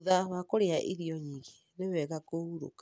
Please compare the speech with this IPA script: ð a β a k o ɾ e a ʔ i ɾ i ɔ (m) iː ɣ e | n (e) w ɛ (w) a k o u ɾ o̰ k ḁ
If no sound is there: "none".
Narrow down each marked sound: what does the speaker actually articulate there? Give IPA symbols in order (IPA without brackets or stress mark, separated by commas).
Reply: ɲ, e, ɣ